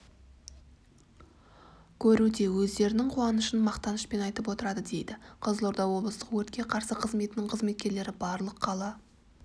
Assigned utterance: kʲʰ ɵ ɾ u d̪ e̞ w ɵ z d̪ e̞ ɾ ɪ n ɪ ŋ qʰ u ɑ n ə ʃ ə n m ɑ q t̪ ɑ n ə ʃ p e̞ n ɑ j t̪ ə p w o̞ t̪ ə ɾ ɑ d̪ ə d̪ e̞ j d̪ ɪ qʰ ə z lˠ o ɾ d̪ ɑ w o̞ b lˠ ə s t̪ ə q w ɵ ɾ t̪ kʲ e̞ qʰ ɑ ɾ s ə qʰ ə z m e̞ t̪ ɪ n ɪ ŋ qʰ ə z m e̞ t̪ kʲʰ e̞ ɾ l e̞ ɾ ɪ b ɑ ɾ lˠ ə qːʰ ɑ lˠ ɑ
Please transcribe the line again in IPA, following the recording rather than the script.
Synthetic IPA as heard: kʲʰ ɵ ɾ u d̪ e̞ w ɵ z d̪ e̞ ɾ ɪ n ɪ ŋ qʰ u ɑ n ə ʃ ə n m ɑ q t̪ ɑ n ə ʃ p e̞ n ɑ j t̪ ə p w o̞ t̪ ə ɾ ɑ d̪ ə d̪ e̞ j d̪ ɪ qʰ ə z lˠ o ɾ d̪ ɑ w o̞ b lˠ ə s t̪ ə q w ɵ ɾ t̪ kʲ e̞ qʰ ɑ ɾ s ə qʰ ə z m e̞ t̪ ɪ n ɪ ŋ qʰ ə z m e̞ t̪ kʲ e̞ ɾ l e̞ ɾ ɪ b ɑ ɾ lˠ ə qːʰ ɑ lˠ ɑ